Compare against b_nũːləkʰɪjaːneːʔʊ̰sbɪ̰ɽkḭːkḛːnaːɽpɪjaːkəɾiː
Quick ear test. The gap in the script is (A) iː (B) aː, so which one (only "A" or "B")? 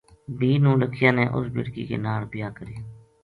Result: A